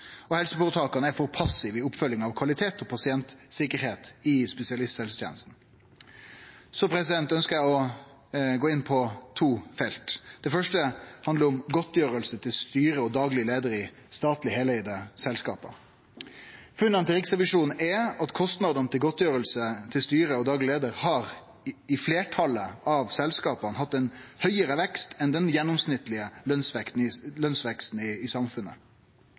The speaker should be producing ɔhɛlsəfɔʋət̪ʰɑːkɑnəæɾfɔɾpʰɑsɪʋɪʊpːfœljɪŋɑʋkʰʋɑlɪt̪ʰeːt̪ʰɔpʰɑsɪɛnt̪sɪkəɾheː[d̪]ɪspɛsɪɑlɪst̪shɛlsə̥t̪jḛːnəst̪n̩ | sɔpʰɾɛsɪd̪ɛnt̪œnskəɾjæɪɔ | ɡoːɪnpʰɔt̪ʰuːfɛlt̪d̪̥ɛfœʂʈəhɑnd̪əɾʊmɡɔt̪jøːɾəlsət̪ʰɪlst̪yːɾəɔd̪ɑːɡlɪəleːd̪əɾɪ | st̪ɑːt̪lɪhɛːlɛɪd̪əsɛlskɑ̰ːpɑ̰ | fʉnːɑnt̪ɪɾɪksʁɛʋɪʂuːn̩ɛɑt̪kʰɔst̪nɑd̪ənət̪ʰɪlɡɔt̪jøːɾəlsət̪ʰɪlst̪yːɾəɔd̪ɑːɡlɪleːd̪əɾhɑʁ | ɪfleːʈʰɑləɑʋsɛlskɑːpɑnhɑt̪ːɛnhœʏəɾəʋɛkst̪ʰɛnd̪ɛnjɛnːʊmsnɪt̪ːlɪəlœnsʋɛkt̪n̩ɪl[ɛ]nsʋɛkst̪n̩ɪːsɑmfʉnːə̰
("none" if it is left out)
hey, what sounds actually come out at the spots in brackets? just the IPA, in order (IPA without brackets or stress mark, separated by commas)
t̪, œ